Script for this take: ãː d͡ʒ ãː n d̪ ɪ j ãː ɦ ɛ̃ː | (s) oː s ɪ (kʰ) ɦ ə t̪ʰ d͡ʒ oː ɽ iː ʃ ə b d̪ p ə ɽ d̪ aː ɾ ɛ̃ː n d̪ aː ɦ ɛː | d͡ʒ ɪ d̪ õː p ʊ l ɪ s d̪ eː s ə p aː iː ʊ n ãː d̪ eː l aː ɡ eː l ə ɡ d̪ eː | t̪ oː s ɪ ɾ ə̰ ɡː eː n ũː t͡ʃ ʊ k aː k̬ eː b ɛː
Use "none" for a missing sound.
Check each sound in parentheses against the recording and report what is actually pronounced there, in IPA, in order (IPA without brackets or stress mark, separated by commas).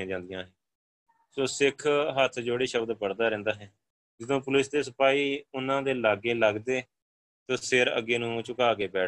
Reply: s, kʰ